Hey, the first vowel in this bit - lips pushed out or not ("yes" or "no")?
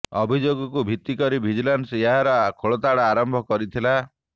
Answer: yes